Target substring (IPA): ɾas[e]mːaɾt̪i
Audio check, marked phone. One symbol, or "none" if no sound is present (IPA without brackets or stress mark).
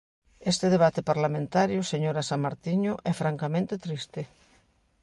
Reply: a